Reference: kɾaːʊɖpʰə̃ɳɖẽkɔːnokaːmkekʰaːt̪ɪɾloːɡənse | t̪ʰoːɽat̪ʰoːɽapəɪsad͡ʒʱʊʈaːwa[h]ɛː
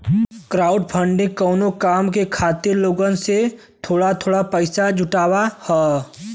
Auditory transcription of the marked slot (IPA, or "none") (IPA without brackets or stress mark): h